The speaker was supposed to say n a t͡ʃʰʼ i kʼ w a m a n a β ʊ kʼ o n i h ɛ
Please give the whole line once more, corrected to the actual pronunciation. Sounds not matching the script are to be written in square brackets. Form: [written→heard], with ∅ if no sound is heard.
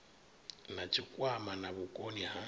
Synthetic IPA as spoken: n a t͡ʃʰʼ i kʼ w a m a n a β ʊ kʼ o n i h [ɛ→a]